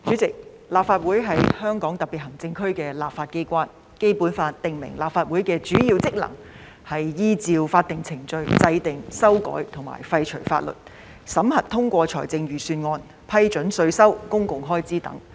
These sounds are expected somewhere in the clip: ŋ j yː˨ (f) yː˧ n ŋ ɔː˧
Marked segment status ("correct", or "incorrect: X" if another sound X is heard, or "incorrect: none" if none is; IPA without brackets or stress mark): incorrect: s